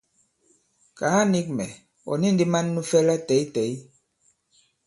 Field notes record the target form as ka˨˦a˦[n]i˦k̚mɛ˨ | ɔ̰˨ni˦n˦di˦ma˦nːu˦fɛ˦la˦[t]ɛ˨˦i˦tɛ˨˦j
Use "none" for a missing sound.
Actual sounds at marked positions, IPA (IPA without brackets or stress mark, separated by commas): n, t